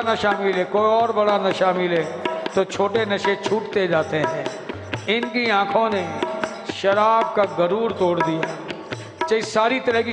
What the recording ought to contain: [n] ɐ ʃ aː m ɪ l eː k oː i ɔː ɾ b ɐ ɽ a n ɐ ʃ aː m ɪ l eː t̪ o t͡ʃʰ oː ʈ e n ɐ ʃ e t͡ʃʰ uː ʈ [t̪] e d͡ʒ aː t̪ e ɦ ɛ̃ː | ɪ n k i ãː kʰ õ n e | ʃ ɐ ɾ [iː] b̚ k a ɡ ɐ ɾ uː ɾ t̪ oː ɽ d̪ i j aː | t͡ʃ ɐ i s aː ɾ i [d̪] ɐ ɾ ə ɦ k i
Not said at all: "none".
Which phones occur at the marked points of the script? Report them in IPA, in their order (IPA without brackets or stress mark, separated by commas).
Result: n, t̪, aː, t̪